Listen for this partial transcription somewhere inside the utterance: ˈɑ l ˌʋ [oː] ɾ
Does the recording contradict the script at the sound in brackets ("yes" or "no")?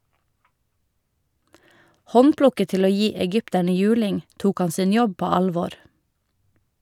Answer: no